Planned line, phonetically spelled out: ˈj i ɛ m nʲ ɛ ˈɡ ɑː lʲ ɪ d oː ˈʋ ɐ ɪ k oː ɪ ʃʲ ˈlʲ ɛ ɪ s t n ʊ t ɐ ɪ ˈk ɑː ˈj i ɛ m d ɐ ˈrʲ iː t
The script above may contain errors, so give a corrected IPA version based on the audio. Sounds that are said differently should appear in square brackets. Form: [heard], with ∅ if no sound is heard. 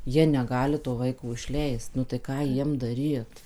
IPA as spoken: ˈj i ɛ [∅] nʲ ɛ ˈɡ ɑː lʲ ɪ [t] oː ˈʋ ɐ ɪ k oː ɪ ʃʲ ˈlʲ ɛ ɪ s t n ʊ t ɐ ɪ ˈk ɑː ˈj i ɛ m d ɐ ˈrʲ iː t